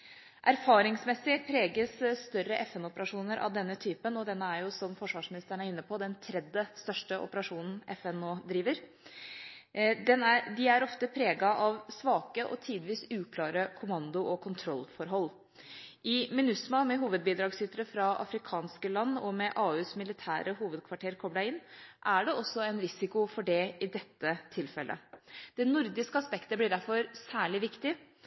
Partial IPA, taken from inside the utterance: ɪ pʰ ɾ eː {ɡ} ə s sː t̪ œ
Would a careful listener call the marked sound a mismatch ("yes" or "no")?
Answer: no